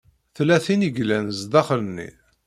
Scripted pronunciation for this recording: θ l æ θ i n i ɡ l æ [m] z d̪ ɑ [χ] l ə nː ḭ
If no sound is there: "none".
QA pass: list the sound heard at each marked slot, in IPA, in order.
n, χ

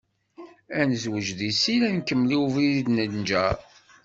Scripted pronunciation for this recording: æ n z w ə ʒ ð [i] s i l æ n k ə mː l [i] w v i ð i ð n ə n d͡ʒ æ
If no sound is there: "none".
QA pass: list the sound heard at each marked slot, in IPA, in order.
i, i

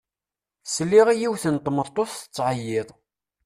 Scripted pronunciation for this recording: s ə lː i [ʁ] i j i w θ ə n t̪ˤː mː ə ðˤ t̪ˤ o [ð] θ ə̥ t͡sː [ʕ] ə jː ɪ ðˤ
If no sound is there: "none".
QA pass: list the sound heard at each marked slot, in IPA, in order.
ʁ, θ, ʕ

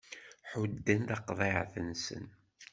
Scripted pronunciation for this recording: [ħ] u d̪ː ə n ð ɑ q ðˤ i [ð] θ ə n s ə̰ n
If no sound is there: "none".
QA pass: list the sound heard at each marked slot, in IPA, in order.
ħ, ʕ

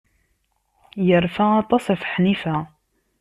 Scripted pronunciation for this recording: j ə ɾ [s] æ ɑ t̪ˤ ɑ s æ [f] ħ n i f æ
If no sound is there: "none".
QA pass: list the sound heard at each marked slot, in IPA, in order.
f, f

